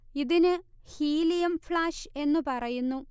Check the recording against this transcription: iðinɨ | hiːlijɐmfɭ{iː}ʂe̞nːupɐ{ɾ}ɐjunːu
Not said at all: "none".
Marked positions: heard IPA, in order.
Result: aː, r

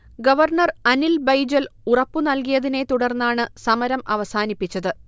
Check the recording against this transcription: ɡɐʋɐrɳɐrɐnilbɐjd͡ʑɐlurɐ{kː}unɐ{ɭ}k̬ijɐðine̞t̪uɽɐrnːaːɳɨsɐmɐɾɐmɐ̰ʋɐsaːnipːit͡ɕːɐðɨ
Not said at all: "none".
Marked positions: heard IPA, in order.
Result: pː, l

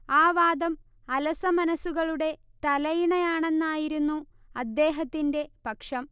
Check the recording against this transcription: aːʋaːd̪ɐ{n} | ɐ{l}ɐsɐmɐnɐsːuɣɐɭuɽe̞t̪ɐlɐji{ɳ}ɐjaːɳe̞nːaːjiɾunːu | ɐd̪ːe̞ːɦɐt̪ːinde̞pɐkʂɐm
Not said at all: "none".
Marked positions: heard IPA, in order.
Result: m, l, ɳ

